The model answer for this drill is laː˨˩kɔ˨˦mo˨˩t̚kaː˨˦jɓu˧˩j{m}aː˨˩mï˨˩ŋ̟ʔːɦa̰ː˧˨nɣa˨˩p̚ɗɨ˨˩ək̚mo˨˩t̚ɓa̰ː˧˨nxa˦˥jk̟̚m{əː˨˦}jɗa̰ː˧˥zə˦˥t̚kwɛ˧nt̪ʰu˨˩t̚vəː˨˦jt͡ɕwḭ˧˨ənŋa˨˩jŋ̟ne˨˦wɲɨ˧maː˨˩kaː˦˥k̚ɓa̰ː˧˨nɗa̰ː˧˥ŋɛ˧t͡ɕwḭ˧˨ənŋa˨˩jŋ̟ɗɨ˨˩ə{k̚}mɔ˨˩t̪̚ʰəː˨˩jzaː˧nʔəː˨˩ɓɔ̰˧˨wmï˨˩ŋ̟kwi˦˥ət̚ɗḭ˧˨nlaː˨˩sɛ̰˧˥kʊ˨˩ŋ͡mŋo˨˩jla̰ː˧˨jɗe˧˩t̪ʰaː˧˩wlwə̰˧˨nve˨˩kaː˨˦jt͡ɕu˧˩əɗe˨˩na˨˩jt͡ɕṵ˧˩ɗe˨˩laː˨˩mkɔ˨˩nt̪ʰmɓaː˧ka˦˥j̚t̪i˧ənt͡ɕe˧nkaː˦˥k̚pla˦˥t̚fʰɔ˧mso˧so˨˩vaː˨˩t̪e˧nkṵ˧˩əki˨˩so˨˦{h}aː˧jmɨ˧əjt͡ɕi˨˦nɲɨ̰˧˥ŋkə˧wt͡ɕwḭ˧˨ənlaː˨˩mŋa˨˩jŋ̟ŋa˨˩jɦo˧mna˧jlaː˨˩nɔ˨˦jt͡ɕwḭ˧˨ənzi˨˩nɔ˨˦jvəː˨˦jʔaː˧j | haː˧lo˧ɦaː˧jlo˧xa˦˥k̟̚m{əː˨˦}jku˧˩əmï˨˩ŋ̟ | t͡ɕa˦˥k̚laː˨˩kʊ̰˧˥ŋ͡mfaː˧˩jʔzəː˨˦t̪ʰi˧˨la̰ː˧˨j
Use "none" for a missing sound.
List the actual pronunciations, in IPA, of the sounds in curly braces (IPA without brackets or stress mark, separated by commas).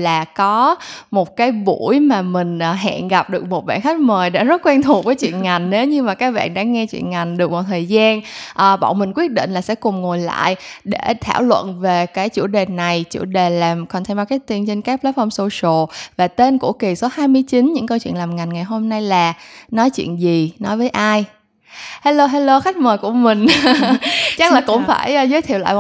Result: m, əː˨˩, k̚, h, əː˨˩